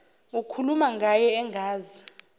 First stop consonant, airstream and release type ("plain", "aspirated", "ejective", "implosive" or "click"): aspirated